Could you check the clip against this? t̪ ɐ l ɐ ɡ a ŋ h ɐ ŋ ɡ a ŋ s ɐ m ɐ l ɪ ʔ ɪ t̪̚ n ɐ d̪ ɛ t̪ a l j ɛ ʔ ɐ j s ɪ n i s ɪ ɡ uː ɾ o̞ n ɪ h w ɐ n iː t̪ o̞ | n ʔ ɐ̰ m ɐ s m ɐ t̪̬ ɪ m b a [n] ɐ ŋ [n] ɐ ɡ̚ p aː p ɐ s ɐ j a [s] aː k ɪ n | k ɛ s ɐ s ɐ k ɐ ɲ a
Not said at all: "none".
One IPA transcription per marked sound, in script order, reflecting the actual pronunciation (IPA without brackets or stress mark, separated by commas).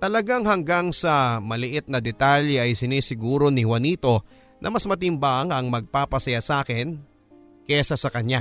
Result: ŋ, m, s